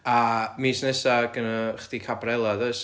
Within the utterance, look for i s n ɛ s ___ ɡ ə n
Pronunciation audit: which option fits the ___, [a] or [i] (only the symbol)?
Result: a